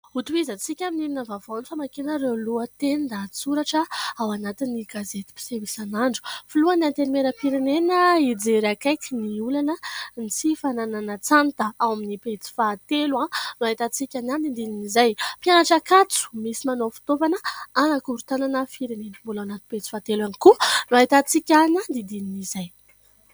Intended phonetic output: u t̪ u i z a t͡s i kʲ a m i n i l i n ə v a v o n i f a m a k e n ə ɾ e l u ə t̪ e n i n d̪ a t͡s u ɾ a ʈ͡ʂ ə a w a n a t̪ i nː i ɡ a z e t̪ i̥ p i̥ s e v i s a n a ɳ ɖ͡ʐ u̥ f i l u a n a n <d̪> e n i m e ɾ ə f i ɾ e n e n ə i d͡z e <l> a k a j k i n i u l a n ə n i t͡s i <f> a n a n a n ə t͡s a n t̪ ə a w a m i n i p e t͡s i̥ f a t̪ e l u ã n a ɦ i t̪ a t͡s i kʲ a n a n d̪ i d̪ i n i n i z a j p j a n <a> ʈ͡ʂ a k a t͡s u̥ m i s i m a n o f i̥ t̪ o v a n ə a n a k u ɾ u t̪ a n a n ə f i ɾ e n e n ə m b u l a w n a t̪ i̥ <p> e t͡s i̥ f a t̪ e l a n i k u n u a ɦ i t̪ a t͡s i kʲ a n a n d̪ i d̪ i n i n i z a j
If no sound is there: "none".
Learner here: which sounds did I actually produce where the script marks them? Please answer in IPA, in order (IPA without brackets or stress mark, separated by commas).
t̪, ɾ, f, a, p